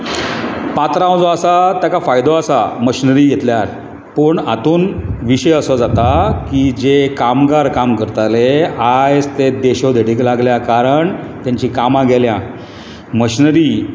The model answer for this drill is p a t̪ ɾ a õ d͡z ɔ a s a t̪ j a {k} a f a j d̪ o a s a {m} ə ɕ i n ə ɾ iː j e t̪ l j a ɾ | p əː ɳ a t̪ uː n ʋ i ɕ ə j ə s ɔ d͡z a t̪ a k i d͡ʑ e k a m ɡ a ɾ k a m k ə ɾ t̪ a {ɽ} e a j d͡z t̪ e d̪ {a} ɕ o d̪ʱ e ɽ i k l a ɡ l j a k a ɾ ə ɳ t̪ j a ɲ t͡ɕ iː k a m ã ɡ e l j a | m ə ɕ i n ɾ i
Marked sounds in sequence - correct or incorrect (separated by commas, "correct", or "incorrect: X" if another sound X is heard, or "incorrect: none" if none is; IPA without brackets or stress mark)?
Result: correct, correct, incorrect: l, incorrect: e